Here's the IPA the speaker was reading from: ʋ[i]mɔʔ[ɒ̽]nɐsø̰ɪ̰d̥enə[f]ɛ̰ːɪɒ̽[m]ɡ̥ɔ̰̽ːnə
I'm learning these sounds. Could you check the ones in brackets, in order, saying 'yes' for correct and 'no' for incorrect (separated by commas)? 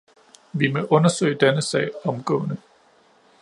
yes, no, no, yes